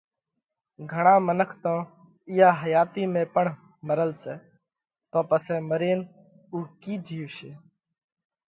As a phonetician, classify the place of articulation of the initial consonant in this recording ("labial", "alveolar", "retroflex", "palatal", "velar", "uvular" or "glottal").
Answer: velar